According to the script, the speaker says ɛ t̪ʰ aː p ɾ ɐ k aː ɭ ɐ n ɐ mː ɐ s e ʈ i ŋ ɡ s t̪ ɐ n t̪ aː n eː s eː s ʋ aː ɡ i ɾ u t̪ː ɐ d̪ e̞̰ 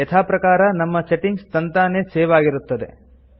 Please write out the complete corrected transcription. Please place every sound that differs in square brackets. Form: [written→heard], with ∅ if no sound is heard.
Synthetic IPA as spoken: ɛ t̪ʰ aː p ɾ ɐ k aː [ɭ→ɾ] ɐ n ɐ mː ɐ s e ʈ i ŋ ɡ s t̪ ɐ n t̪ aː n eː s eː [s→∅] ʋ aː ɡ i ɾ u t̪ː ɐ d̪ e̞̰

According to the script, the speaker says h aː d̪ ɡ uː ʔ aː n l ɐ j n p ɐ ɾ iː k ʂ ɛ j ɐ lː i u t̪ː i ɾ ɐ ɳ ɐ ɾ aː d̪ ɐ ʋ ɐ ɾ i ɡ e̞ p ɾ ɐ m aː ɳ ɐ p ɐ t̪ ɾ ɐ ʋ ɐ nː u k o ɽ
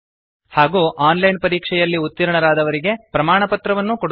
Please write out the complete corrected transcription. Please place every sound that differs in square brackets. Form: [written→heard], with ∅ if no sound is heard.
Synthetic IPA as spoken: h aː [d̪→∅] ɡ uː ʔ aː n l ɐ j n p ɐ ɾ iː k ʂ ɛ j ɐ lː i u t̪ː i ɾ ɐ ɳ ɐ ɾ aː d̪ ɐ ʋ ɐ ɾ i ɡ e̞ p ɾ ɐ m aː ɳ ɐ p ɐ t̪ ɾ ɐ ʋ ɐ nː u k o ɽ

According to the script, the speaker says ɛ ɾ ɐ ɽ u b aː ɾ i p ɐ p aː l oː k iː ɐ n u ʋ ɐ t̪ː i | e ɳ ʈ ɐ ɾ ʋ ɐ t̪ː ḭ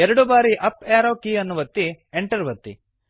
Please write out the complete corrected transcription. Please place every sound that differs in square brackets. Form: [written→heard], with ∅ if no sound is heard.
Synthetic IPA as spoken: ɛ ɾ ɐ ɽ u b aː ɾ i [p→ʔ] ɐ p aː [l→ɾ] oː k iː ɐ [n→nː] u ʋ ɐ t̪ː i | e ɳ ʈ ɐ ɾ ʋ ɐ t̪ː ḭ

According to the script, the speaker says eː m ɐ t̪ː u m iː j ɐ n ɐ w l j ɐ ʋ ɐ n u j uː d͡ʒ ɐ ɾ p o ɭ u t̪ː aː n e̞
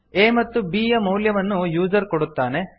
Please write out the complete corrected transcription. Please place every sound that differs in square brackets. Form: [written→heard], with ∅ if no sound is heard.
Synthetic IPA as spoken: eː m ɐ t̪ː u [m→b] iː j ɐ [n→m] ɐ w l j ɐ ʋ ɐ [n→nː] u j uː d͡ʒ ɐ ɾ [p→k] o [ɭ→ɽ] u t̪ː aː n e̞

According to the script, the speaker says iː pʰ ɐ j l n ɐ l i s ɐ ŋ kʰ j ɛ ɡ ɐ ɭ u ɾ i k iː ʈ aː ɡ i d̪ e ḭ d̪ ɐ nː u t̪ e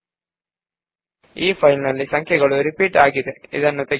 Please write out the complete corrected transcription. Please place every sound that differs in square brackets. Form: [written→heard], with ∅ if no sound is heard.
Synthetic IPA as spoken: iː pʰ ɐ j l n ɐ [l→lː] i s ɐ ŋ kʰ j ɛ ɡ ɐ ɭ u ɾ i [k→p] iː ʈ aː ɡ i d̪ e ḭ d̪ ɐ nː u t̪ e

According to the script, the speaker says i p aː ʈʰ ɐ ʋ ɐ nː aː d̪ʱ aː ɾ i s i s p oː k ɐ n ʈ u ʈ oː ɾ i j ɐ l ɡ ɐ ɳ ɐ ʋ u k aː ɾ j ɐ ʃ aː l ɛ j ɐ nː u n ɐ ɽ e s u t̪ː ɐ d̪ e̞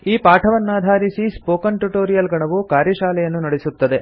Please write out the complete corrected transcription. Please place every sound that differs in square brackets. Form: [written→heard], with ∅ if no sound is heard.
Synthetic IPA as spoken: [i→iː] p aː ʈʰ ɐ ʋ ɐ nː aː d̪ʱ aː ɾ i s i s p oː k ɐ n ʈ u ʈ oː ɾ i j ɐ l ɡ ɐ ɳ ɐ ʋ u k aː ɾ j ɐ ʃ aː l ɛ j ɐ nː u n ɐ ɽ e s u t̪ː ɐ d̪ e̞

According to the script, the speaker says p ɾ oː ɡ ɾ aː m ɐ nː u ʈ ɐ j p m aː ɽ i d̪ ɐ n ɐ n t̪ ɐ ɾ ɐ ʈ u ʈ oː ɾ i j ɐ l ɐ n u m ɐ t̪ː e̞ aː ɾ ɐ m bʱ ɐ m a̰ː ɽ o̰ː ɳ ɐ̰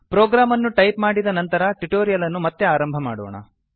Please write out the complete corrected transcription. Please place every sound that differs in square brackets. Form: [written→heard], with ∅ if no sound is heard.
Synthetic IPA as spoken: p ɾ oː ɡ ɾ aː m ɐ nː u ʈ ɐ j p m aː ɽ i d̪ ɐ n ɐ n t̪ ɐ ɾ ɐ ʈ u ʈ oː ɾ i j ɐ l ɐ [n→nː] u m ɐ t̪ː e̞ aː ɾ ɐ m bʱ ɐ m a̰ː ɽ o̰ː ɳ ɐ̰

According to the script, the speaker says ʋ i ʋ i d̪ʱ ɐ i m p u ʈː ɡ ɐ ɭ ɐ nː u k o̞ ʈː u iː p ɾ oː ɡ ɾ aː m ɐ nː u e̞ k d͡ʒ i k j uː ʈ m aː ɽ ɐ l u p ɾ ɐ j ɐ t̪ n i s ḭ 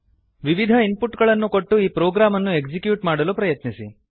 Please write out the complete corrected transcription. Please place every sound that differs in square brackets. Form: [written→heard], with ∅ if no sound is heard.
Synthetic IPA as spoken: ʋ i ʋ i d̪ʱ ɐ i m p u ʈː ɡ ɐ ɭ ɐ nː u k o̞ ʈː u iː p ɾ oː ɡ ɾ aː m ɐ nː u e̞ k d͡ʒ i k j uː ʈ m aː ɽ ɐ l u p ɾ ɐ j ɐ t̪ n i s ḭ

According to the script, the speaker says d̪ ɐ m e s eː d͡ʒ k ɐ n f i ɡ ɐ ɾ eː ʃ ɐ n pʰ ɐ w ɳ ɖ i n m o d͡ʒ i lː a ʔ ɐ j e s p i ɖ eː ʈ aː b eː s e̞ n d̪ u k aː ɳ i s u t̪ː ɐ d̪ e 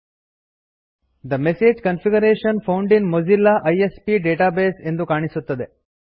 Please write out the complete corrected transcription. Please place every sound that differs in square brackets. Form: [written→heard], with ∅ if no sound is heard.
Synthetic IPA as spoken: d̪ ɐ m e s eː d͡ʒ k ɐ n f i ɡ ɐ ɾ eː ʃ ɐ n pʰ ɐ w ɳ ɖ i n m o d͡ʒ i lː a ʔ ɐ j e s p i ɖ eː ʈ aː b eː s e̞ n d̪ u k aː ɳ i s u t̪ː ɐ d̪ e

